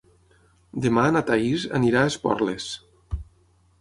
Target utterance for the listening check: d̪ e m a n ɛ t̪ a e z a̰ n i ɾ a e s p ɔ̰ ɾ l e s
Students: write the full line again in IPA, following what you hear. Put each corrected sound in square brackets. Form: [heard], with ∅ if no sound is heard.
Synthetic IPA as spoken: d̪ e m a n [a] t̪ a [i] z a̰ n i ɾ a e s p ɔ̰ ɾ l e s